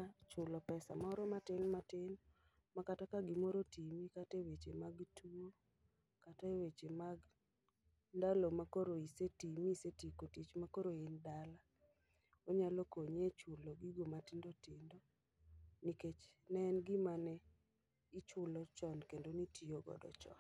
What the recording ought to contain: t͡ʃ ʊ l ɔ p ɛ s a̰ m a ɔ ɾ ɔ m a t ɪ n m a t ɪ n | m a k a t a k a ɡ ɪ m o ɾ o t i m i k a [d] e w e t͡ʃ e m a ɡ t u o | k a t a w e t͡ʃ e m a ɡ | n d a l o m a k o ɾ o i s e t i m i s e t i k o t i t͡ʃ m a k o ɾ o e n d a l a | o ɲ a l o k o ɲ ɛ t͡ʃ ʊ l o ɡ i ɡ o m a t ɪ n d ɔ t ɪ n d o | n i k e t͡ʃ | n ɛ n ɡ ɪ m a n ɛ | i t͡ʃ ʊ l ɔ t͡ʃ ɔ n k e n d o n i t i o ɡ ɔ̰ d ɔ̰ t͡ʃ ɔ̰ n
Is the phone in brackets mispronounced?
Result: yes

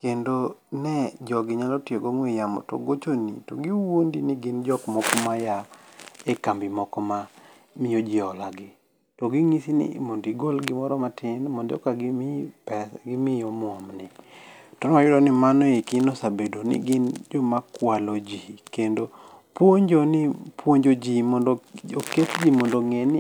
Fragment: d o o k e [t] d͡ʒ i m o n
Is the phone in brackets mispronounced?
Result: no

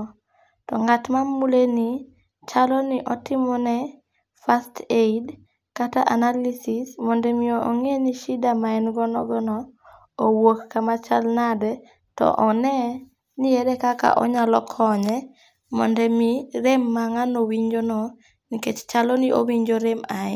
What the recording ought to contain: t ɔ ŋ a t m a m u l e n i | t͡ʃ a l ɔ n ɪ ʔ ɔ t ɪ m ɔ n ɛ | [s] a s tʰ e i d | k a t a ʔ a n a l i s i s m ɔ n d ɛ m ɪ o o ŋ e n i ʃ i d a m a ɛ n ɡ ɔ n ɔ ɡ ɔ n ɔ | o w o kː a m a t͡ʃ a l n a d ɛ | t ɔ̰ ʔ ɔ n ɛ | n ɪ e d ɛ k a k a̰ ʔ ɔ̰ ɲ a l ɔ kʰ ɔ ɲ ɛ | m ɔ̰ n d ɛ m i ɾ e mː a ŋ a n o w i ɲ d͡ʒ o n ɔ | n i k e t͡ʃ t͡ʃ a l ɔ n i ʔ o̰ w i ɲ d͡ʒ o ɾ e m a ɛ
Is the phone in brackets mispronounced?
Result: yes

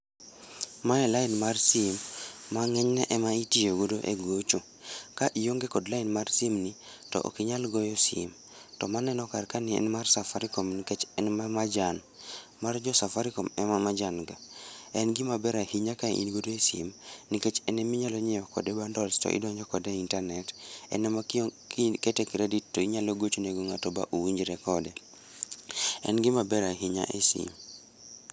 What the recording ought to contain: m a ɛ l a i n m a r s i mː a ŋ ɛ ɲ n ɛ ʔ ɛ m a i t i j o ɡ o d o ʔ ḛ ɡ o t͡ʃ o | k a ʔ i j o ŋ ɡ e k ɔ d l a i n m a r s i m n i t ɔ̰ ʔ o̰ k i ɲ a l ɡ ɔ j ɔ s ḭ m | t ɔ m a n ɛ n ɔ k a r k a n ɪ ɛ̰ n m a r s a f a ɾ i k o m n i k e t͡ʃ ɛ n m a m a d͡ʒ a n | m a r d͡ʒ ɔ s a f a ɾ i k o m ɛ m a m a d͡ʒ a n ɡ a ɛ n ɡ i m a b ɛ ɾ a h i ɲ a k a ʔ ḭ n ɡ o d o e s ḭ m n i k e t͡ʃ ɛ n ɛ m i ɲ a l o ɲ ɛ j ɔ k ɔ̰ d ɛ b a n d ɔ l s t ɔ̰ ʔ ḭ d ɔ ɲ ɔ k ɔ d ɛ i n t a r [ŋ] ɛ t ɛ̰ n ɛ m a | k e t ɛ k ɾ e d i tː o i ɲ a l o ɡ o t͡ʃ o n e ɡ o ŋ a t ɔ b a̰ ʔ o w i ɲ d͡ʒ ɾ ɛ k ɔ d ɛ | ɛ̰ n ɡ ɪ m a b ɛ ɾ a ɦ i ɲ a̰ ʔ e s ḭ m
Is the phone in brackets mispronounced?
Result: yes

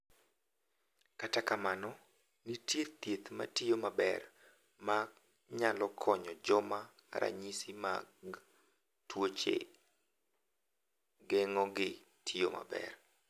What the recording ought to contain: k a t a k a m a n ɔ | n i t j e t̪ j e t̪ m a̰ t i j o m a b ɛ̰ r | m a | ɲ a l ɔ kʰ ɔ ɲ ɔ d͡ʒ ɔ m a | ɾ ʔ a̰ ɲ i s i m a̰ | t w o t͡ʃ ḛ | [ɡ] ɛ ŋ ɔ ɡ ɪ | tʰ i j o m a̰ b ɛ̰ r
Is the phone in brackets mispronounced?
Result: no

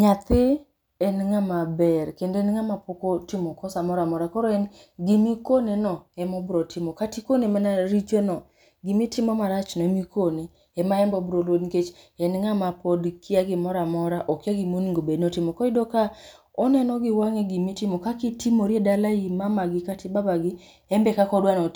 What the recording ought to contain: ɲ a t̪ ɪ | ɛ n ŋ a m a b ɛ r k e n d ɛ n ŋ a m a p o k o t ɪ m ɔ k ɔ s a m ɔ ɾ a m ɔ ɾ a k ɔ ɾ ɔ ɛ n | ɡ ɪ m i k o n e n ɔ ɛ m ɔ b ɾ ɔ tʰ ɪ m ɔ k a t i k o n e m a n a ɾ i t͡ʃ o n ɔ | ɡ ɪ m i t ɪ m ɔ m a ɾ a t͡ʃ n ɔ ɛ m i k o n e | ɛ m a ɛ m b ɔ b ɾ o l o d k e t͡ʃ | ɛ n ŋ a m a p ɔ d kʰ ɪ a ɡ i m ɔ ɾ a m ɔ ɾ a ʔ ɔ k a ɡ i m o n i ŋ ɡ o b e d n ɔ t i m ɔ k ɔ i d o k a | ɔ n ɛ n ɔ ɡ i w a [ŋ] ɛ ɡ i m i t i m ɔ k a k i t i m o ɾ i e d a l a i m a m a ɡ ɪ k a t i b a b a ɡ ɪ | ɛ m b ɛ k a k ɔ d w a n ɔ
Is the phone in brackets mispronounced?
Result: no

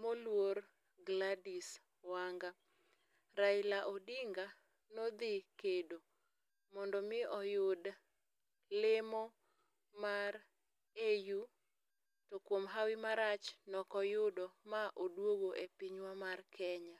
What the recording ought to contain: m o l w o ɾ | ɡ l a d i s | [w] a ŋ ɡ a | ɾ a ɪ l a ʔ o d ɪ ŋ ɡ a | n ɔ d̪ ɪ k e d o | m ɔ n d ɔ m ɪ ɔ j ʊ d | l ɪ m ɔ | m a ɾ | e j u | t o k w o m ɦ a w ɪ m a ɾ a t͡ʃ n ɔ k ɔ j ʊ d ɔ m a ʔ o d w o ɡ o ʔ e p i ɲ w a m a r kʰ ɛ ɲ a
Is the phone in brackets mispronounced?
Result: no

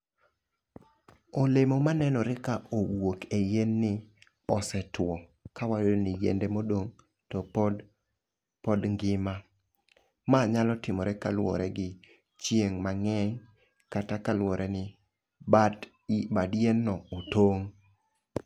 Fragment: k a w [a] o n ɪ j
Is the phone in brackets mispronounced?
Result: no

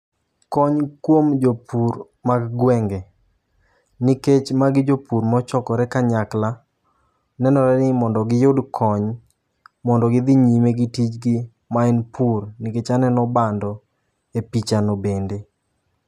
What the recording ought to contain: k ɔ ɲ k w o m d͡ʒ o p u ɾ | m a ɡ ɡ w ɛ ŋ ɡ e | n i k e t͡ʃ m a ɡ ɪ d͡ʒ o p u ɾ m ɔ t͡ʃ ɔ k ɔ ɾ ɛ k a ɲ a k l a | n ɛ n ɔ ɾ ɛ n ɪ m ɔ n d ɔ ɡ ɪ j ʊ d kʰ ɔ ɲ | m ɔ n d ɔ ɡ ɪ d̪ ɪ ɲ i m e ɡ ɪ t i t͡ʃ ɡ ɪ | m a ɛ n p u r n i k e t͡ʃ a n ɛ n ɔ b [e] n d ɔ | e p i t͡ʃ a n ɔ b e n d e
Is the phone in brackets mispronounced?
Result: yes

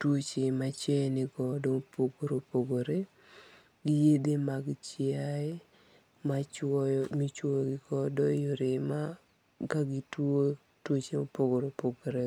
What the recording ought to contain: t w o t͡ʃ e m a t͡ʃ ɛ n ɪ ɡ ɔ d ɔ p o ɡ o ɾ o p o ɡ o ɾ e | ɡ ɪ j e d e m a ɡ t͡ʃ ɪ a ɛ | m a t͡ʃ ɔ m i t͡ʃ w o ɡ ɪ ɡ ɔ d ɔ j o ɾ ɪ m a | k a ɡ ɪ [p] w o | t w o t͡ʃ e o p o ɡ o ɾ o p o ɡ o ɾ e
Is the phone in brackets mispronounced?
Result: yes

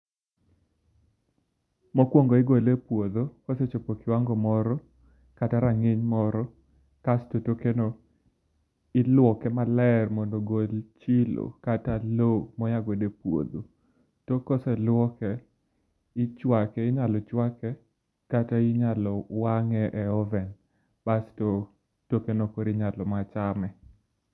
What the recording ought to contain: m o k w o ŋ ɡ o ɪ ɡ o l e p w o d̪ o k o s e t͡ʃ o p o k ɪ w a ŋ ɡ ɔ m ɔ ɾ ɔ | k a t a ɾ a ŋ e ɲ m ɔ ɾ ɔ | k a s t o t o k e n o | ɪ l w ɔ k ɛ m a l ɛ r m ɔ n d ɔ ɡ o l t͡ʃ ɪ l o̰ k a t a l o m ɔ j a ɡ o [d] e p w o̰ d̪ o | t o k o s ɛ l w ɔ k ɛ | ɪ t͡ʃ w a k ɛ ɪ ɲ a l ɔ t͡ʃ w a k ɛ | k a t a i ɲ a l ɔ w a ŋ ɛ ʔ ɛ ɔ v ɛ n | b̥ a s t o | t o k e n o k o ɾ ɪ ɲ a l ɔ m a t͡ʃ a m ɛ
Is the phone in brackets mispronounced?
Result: no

